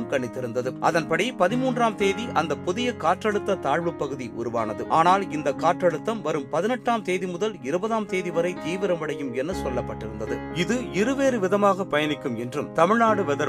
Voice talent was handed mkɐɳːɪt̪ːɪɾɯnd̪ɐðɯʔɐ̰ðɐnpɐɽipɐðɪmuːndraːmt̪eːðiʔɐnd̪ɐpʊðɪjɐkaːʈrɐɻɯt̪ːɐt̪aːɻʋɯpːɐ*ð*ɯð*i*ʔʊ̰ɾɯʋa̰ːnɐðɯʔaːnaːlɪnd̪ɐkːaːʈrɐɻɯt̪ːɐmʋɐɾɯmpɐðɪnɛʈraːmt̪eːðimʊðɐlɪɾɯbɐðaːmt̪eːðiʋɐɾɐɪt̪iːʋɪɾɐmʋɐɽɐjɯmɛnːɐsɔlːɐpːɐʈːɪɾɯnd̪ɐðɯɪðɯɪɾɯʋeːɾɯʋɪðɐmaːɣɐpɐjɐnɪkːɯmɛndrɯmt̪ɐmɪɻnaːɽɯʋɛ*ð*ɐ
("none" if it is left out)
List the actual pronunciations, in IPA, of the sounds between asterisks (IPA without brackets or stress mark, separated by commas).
ɣ, i, ð